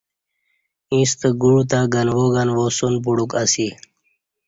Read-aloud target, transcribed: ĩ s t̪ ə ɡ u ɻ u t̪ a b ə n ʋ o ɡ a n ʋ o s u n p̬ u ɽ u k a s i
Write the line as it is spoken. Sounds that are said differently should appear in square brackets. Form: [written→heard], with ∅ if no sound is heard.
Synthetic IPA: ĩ s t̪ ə ɡ u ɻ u t̪ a [b→ɡ] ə n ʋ o ɡ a n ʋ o s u n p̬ u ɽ u k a s i